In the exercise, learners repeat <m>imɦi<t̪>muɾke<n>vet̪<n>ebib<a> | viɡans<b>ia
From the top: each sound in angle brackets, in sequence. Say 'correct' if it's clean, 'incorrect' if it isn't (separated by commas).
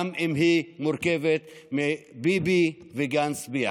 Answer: correct, incorrect, incorrect, incorrect, incorrect, correct